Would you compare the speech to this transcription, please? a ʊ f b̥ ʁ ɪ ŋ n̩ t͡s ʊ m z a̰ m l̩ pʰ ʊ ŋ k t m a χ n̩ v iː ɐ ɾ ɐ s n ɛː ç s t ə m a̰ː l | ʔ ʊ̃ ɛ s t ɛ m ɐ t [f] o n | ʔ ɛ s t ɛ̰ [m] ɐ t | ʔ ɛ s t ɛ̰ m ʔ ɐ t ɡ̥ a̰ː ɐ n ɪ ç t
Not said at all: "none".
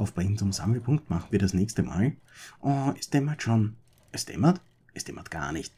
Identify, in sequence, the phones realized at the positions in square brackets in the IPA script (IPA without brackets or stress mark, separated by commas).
ʃ, m